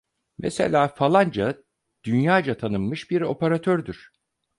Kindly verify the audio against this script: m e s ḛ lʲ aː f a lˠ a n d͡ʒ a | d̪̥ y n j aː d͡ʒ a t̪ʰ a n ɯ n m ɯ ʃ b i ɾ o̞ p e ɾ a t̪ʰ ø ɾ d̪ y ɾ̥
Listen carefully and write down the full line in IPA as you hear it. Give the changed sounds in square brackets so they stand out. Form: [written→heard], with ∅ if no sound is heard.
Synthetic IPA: m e s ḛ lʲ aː f a lˠ a n d͡ʒ a | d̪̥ y n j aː d͡ʒ a t̪ʰ a n ɯ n m ɯ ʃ b i ɾ o̞ p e ɾ a t̪ʰ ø ɾ d̪ y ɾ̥